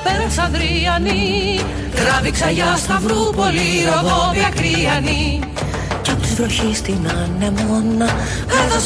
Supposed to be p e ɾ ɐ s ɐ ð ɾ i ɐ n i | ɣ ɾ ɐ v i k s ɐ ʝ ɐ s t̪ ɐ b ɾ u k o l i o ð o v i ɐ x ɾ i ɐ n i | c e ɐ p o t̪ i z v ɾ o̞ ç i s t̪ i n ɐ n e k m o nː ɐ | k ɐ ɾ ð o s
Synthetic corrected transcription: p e ɾ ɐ s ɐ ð ɾ i ɐ n i | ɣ ɾ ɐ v i k s ɐ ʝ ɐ s t̪ ɐ v ɾ u p o l i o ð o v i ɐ k ɾ i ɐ n i | c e ɐ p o t̪ i z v ɾ o̞ ç i s t̪ i n ɐ n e m o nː ɐ | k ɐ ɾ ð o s